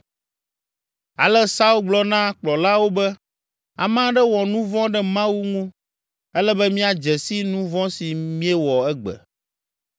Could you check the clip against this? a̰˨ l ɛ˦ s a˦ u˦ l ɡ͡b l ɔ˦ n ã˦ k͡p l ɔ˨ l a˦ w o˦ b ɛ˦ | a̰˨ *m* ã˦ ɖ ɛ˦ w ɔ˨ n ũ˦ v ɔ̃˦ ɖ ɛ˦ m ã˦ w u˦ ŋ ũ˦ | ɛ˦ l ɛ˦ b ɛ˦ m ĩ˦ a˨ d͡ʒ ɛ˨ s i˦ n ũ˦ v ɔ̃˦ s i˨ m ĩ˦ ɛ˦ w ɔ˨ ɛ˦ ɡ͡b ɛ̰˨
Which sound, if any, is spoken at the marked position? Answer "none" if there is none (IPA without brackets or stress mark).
m